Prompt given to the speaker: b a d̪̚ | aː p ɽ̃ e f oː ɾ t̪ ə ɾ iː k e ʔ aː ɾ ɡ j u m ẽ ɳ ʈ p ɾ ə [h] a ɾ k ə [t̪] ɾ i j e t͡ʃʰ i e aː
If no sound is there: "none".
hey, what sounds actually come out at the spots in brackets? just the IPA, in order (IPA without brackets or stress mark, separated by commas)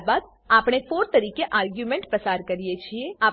s, none